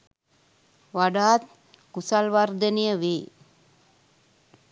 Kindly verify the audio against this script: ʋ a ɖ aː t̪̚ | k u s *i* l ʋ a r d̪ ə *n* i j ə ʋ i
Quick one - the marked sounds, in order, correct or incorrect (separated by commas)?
incorrect, correct